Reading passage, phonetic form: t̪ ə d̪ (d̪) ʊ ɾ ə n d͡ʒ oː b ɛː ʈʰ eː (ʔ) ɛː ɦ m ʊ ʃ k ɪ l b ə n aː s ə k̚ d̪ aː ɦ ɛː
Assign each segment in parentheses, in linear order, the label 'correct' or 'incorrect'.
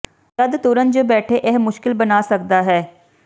incorrect, correct

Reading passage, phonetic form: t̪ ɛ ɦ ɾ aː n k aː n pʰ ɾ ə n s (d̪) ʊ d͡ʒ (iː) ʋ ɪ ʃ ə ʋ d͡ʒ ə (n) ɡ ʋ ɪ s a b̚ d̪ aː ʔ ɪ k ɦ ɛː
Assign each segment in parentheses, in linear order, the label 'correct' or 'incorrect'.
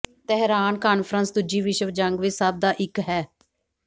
correct, correct, incorrect

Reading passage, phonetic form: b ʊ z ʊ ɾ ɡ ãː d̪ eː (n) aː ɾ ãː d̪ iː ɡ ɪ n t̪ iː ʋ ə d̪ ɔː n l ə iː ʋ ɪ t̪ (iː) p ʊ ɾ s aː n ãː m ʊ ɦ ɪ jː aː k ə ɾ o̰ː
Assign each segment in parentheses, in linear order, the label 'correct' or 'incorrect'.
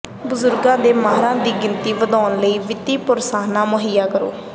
incorrect, correct

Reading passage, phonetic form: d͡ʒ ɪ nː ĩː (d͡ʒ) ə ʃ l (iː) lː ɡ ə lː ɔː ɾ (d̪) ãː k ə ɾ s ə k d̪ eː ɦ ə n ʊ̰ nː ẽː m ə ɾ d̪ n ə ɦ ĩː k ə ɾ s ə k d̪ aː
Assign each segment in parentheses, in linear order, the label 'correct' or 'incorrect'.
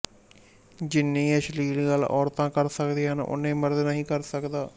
incorrect, correct, incorrect

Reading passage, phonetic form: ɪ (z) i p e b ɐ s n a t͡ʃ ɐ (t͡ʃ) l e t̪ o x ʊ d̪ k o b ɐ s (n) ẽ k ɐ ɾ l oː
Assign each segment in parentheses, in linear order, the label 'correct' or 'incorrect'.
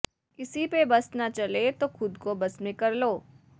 incorrect, incorrect, incorrect

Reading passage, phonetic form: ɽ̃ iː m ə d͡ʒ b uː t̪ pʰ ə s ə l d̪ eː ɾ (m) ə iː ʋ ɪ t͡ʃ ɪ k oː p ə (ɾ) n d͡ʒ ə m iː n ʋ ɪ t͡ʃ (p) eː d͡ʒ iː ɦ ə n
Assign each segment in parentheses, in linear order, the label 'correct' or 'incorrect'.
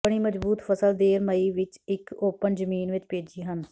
correct, incorrect, correct

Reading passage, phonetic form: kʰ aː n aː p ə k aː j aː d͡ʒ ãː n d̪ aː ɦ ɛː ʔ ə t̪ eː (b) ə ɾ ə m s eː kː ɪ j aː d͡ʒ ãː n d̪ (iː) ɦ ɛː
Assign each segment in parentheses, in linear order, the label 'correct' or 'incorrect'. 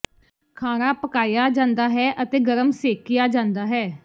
incorrect, incorrect

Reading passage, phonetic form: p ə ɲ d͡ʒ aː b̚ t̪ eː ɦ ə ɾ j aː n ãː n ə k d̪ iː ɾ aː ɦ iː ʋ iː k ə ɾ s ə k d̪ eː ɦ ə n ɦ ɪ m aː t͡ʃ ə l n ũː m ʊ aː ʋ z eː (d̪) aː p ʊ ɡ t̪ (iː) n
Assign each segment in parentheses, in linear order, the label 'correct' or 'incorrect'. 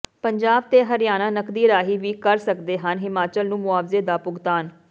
correct, incorrect

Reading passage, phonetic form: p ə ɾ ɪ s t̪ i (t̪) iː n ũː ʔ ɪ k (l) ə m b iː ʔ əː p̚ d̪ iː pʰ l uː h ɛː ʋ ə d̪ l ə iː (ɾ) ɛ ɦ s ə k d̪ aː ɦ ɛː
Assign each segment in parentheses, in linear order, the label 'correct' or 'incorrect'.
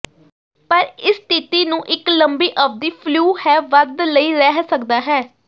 correct, correct, correct

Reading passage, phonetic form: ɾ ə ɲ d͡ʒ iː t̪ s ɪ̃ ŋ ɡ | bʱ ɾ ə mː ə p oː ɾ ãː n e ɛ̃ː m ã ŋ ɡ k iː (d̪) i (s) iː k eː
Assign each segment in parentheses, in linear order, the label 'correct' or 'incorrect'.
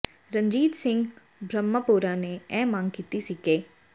incorrect, correct

